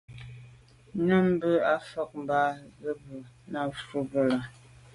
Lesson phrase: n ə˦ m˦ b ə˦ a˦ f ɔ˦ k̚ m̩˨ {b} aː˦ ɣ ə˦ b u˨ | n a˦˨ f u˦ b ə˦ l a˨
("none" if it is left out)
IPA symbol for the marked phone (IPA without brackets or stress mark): b